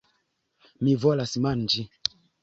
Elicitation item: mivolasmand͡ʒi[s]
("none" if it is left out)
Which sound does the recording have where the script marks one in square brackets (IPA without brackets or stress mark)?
none